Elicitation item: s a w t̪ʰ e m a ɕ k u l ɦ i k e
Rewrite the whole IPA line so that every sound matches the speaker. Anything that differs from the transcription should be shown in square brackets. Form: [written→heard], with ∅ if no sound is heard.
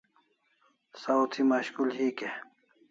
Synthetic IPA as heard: s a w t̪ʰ [e→i] m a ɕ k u l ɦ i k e